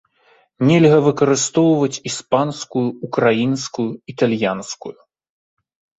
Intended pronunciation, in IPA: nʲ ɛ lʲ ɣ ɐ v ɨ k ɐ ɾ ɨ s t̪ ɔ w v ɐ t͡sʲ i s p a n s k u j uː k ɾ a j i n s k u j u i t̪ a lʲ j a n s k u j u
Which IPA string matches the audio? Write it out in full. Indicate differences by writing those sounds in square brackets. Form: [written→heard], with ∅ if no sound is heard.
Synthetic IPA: nʲ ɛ lʲ ɣ ɐ v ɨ k ɐ ɾ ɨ s t̪ ɔ w v ɐ t͡sʲ i s p a n s k u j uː k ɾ a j i n s k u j u i t̪ a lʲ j a n s k u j u